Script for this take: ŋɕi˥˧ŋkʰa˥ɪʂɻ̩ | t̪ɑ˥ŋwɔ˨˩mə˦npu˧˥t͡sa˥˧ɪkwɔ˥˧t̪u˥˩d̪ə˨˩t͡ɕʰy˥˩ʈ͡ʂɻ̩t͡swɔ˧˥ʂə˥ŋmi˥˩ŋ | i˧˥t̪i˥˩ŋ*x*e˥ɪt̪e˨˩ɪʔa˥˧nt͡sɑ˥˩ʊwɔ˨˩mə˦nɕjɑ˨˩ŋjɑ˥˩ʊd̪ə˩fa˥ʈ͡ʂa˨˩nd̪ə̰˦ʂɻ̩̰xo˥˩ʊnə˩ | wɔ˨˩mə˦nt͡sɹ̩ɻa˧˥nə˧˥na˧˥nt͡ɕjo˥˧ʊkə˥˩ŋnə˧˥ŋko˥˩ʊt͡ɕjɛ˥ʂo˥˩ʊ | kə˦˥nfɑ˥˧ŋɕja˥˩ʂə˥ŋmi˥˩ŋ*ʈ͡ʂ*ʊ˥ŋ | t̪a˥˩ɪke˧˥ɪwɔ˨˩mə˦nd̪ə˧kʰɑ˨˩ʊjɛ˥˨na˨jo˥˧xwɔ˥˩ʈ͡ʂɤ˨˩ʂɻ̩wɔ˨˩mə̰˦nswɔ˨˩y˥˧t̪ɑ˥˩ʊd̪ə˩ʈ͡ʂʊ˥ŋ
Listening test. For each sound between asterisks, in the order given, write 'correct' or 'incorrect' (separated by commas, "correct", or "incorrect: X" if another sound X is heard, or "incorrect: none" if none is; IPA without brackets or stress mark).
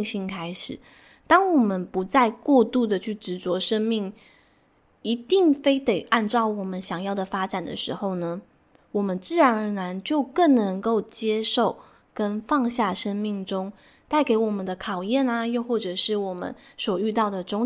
incorrect: f, correct